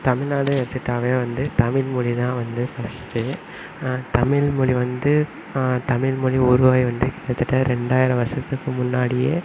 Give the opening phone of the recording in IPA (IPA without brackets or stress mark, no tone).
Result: t̪